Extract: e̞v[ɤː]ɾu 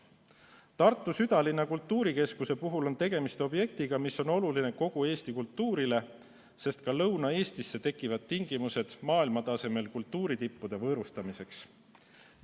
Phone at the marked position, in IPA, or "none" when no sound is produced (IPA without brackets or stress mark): ɤː